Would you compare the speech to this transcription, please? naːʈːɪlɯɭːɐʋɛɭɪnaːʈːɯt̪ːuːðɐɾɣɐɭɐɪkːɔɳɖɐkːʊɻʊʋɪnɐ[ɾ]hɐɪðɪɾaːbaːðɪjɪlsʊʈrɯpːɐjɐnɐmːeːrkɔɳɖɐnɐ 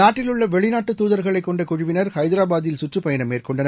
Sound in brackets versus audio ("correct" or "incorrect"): correct